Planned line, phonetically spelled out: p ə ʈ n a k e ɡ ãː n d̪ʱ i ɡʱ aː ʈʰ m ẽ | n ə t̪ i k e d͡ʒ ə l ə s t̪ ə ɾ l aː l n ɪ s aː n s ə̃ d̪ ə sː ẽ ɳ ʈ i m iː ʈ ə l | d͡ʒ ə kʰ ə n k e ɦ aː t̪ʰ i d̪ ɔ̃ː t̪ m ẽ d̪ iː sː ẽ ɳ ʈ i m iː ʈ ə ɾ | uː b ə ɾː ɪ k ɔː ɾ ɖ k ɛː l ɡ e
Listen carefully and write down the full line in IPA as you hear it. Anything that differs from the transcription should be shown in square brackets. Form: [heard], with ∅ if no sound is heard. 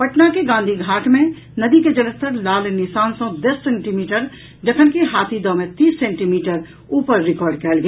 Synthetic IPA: p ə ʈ n a k e ɡ ãː n d̪ʱ i ɡʱ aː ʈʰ m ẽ | n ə [d̪] i k e d͡ʒ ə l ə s t̪ ə ɾ l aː l n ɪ s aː n s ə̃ d̪ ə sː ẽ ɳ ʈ i m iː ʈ ə [ɾ] | d͡ʒ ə kʰ ə n k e ɦ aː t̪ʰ i d̪ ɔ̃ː [∅] m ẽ [t̪] iː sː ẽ ɳ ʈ i m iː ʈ ə ɾ | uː [p] ə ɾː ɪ k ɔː ɾ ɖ k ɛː l ɡ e

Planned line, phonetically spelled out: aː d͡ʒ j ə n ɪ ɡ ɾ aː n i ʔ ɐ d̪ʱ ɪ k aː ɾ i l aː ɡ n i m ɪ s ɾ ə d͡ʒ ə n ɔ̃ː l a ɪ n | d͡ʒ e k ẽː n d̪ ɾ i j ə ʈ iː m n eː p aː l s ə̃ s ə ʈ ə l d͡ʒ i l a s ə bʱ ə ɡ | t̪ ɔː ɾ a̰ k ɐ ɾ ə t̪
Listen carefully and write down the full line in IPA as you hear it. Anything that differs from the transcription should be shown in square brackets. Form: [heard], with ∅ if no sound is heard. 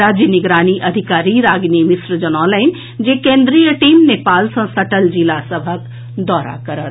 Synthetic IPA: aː d͡ʒ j ə n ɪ ɡ ɾ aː n i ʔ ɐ d̪ʱ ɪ k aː ɾ i [ɾ] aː ɡ n i m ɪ s ɾ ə d͡ʒ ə n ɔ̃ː l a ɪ n | d͡ʒ e k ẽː n d̪ ɾ i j ə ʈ iː m n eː p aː l s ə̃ s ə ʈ ə l d͡ʒ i l a s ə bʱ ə [k] | [d̪] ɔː ɾ a̰ k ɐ ɾ ə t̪

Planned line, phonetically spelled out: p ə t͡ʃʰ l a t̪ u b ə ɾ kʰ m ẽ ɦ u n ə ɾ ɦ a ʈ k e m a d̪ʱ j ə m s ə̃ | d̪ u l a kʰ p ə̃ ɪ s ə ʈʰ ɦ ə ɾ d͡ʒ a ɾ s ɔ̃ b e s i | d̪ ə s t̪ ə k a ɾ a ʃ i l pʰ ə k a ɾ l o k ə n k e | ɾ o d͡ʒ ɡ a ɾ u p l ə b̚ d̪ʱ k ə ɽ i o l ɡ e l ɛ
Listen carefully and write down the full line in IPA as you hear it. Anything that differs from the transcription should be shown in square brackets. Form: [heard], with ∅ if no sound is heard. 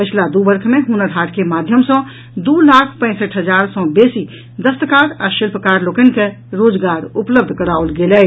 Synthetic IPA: p ə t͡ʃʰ l a [d̪] u b ə ɾ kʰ m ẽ ɦ u n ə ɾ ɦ a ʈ k e m a d̪ʱ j ə m s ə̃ | d̪ u l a kʰ p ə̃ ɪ s ə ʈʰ ɦ ə [∅] d͡ʒ a ɾ s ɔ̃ b e s i | d̪ ə s t̪ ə k a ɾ a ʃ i l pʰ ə k a ɾ l o k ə n k e | ɾ o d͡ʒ ɡ a ɾ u p l ə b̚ d̪ʱ k ə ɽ [a] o l ɡ e l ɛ

